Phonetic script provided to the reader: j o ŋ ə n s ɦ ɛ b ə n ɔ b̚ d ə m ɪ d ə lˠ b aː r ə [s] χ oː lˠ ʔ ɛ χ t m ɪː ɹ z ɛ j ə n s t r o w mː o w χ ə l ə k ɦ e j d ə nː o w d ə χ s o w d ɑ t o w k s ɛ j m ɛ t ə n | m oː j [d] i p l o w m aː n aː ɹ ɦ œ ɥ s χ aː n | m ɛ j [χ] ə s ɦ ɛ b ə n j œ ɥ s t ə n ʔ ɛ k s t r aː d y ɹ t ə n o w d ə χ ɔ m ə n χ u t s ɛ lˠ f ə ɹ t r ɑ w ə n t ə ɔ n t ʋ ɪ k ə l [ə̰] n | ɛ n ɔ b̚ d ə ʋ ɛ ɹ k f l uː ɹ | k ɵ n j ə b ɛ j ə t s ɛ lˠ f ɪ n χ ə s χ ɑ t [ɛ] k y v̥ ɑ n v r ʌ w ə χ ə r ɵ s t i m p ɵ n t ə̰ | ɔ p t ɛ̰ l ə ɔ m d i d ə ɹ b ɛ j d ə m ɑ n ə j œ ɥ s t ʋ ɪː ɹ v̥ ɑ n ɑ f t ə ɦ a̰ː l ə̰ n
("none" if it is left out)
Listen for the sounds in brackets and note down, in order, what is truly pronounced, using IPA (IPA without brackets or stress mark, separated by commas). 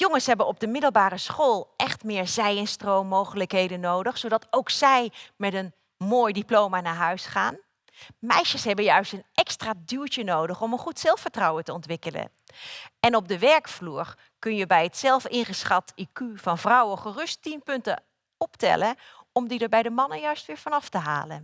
s, d, ʃ, ə̰, i